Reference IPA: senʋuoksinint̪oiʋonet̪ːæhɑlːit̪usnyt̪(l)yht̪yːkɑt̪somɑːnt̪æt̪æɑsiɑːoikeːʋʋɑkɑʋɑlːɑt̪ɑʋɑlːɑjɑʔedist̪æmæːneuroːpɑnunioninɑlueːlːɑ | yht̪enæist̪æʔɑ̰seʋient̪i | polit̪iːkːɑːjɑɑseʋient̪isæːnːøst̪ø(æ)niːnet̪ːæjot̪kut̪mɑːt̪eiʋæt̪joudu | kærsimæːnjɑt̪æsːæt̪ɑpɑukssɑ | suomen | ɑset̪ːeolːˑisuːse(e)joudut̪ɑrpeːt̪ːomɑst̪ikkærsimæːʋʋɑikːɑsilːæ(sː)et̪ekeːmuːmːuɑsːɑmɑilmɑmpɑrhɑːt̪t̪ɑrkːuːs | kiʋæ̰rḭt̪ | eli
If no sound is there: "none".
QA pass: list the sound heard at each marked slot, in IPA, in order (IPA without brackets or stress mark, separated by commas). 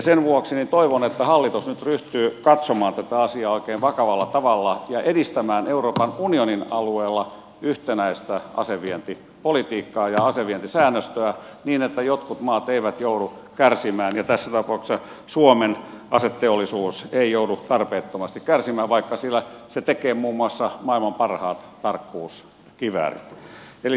r, æ, i, s